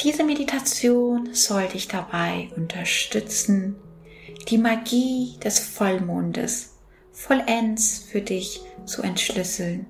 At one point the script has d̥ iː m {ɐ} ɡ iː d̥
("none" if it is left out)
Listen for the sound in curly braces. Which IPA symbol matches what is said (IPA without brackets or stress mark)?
a